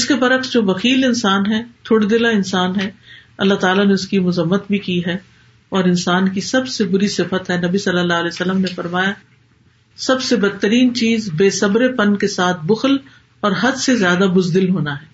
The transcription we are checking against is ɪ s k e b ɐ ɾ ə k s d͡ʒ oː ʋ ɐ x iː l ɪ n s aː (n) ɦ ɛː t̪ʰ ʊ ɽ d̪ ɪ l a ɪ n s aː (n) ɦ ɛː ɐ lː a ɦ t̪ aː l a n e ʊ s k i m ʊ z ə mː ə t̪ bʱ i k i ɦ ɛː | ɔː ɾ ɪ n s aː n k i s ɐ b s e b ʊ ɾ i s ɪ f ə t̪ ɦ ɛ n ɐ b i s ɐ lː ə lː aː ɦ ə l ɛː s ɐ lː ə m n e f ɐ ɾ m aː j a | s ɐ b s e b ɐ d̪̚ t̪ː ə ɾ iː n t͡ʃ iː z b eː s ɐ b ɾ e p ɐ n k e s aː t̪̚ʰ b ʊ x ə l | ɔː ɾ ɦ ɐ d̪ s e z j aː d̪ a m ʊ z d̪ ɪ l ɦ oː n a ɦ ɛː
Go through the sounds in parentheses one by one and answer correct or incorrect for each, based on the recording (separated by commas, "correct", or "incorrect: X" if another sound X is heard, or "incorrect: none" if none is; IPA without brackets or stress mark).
correct, correct